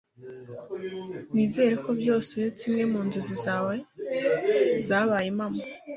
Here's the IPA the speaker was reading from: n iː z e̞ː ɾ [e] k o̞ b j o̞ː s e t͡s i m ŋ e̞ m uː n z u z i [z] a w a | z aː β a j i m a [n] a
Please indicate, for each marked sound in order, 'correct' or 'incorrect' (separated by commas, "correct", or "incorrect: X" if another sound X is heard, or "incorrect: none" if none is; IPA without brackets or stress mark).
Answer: correct, correct, incorrect: m